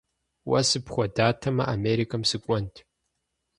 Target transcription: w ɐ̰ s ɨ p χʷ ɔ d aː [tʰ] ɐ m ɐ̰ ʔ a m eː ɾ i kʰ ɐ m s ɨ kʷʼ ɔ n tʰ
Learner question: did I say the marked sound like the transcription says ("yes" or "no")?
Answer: yes